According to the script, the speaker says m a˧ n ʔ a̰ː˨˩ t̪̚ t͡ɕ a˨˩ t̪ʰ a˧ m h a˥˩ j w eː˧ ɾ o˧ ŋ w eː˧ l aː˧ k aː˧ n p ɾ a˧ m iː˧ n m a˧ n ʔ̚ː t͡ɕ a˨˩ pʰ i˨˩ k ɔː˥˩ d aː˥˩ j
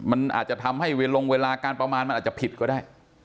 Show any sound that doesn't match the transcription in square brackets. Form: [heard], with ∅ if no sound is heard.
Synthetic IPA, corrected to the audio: m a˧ n ʔ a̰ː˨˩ t̪̚ t͡ɕ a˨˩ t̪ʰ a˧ m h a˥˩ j w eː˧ [l] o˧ ŋ w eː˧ l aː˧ k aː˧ n p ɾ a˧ m [aː˧] n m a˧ n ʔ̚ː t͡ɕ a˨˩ pʰ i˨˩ k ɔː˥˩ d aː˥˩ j